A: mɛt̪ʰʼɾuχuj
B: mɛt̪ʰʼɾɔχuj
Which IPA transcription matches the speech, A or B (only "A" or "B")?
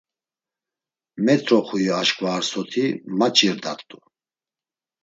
B